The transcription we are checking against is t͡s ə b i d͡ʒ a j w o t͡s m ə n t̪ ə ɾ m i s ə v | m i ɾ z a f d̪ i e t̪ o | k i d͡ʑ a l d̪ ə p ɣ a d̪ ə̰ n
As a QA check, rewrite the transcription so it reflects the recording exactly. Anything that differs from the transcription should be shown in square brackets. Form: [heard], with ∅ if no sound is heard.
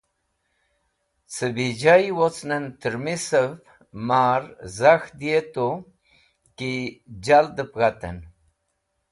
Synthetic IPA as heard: t͡s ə b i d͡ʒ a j w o t͡s [n] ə n t̪ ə ɾ m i s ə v | m [a] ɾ z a [x] d̪ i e t̪ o | k i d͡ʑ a l d̪ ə p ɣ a [t̪] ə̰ n